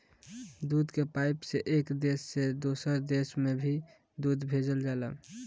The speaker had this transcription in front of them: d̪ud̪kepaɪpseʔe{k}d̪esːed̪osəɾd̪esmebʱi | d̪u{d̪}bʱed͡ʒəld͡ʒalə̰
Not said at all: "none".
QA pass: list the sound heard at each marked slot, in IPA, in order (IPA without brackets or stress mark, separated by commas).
k, d̪